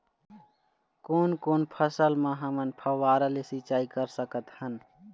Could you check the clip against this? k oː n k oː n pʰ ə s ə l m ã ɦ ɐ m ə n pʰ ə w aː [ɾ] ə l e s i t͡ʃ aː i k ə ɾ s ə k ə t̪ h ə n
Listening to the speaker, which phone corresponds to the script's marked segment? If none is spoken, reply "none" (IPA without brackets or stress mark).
ɾ